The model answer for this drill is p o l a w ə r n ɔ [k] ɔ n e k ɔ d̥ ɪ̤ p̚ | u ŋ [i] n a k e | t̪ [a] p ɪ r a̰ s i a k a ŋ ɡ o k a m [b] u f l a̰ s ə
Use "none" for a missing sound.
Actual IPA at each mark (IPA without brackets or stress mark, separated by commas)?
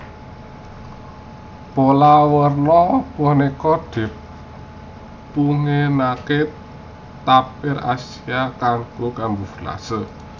p, e, a, b